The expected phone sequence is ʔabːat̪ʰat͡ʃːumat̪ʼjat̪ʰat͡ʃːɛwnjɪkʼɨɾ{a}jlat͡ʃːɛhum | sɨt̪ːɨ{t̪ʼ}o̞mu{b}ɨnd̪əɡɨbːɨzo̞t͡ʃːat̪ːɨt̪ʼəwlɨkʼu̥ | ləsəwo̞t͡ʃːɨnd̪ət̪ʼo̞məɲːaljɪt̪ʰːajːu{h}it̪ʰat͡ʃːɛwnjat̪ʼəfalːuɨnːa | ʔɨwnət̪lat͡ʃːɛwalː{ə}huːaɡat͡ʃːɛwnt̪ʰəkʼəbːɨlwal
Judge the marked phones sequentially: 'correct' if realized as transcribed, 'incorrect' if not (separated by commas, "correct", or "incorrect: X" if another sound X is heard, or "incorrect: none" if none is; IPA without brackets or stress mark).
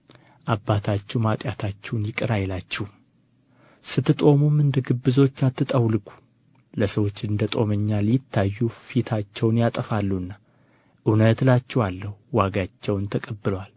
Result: correct, correct, incorrect: m, incorrect: f, correct